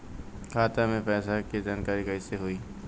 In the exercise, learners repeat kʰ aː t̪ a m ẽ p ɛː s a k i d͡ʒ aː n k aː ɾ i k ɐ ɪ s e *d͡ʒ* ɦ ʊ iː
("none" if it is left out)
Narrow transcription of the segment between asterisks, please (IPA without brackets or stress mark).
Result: none